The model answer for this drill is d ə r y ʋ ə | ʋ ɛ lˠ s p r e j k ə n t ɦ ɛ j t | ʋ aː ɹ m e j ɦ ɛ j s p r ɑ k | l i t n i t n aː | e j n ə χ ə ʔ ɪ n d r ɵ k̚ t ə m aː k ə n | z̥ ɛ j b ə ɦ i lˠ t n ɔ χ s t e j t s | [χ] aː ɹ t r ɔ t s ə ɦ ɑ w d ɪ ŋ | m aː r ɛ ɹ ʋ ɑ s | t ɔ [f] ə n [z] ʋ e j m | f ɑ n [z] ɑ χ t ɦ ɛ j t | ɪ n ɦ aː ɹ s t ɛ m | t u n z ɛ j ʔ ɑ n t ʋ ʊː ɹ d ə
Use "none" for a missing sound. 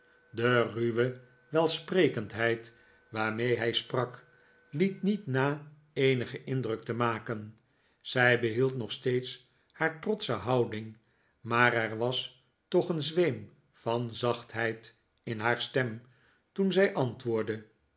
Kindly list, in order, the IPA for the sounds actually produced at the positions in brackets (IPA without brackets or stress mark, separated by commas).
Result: h, χ, z, z